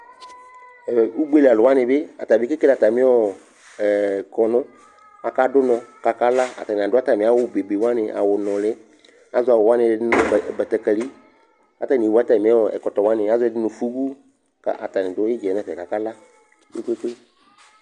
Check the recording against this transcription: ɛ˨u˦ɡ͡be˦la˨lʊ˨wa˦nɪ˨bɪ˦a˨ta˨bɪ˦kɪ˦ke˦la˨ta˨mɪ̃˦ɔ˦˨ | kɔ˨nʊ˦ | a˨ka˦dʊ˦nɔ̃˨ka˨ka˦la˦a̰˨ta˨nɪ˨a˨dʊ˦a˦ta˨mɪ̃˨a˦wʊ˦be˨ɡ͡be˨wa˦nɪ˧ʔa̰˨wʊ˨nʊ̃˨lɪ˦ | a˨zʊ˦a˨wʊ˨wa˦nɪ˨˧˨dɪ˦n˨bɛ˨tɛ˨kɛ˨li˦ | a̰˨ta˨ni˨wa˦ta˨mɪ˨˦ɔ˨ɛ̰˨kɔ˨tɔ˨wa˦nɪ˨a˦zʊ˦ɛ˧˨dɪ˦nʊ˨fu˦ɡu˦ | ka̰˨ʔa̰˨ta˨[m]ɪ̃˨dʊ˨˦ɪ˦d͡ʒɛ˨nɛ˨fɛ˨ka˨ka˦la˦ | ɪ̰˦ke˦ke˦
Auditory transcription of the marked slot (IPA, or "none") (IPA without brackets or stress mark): n